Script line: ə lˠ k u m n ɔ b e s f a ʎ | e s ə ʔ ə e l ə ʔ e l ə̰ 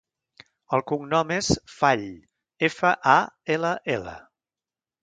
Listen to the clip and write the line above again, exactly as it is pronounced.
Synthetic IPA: ə lˠ k u ŋ n ɔ m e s f a ʎ | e f ə ʔ a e l ə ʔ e l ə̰